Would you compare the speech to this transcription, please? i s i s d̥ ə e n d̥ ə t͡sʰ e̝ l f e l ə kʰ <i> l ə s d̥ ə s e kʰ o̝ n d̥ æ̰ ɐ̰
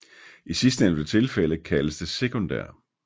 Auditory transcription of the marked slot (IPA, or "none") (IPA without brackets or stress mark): æ